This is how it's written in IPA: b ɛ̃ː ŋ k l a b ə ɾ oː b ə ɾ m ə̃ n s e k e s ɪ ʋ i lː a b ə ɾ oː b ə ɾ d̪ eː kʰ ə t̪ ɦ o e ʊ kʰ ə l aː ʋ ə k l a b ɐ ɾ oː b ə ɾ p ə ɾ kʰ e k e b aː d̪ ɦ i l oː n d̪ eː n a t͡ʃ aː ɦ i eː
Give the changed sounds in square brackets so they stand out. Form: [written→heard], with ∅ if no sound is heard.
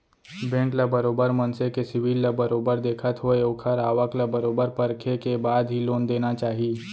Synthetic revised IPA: b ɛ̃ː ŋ k l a b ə ɾ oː b ə ɾ m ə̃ n s e k e s ɪ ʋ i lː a b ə ɾ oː b ə ɾ d̪ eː kʰ ə t̪ ɦ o e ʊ kʰ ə [l→ɾ] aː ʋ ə k l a b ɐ ɾ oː b ə ɾ p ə ɾ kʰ e k e b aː d̪ ɦ i l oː n d̪ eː n a t͡ʃ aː ɦ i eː